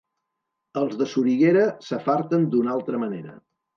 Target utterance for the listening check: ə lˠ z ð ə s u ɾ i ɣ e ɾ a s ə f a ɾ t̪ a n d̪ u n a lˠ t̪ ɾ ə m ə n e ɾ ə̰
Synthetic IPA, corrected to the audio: ə lˠ z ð ə s u ɾ i ɣ e ɾ ə s ə f a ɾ t̪ ə n d̪ u n a lˠ t̪ ɾ ə m ə n e ɾ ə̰